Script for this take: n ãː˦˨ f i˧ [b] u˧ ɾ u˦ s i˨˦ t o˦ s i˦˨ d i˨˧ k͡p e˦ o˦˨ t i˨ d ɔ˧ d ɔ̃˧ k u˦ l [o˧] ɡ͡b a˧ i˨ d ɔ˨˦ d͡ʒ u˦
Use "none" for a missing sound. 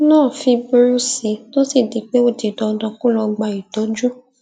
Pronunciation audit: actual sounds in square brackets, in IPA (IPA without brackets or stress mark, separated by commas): b, ɔ˧